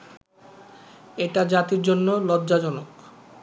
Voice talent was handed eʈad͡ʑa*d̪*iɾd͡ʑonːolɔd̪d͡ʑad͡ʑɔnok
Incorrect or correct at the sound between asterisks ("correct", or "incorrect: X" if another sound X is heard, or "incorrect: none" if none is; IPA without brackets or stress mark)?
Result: incorrect: t̪